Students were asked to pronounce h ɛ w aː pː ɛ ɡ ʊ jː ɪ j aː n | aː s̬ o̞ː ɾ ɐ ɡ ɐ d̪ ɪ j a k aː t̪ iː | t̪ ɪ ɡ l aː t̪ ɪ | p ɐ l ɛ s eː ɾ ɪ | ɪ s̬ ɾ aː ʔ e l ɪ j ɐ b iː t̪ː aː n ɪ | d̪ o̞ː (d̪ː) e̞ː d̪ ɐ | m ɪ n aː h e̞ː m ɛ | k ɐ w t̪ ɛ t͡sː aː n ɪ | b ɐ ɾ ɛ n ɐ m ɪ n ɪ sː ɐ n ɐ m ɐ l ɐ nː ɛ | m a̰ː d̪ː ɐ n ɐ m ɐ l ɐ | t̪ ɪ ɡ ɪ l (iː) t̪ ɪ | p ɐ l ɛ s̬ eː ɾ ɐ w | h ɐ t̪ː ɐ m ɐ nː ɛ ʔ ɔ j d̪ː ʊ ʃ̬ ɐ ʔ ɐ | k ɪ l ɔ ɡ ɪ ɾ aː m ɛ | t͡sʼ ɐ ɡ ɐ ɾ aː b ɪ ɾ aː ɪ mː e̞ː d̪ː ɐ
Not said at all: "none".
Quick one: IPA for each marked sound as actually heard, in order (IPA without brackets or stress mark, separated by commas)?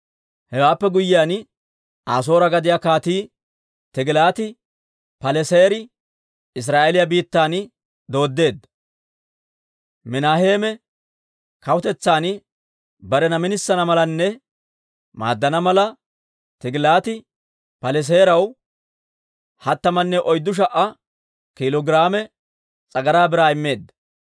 d̪ː, aː